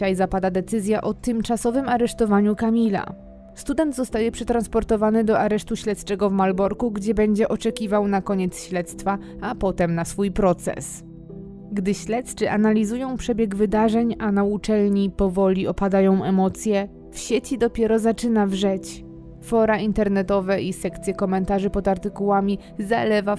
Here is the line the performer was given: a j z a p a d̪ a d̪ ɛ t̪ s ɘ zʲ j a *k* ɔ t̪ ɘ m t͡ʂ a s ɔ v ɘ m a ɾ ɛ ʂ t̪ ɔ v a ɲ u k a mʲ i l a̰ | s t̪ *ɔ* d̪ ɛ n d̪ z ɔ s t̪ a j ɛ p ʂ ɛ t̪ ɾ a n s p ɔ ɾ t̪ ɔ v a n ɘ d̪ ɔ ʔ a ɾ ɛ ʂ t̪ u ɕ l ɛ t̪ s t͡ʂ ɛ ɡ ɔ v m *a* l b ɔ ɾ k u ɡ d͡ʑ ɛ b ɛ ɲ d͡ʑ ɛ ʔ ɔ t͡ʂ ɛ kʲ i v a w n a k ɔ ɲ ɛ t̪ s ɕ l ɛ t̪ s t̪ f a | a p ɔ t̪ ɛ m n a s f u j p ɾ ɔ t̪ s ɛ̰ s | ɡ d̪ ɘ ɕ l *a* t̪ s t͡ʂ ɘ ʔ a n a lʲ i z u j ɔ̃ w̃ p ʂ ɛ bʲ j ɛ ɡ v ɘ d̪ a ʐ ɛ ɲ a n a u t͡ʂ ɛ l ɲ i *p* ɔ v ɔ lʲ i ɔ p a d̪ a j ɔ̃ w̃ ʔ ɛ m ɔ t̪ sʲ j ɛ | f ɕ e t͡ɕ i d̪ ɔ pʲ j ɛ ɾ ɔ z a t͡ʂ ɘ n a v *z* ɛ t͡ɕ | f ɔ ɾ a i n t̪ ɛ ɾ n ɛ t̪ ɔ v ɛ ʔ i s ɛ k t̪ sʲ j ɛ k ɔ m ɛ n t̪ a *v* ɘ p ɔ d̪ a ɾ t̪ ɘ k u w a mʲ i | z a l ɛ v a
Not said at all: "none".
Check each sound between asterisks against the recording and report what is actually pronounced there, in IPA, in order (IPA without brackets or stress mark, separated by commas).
ʔ, u, a, ɛ, p, ʐ, ʐ